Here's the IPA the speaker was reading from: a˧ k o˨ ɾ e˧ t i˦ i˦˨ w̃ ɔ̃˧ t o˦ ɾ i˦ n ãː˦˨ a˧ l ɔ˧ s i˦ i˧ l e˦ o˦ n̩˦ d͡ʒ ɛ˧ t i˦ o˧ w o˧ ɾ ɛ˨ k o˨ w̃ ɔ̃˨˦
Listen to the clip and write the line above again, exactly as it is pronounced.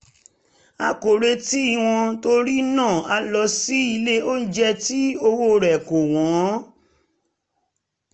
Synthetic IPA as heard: a˧ k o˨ ɾ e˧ t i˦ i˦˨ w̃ ɔ̃˧ t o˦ ɾ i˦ n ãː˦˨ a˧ l ɔ˧ s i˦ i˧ l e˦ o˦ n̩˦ d͡ʒ ɛ˧ t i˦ o˧ w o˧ ɾ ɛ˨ k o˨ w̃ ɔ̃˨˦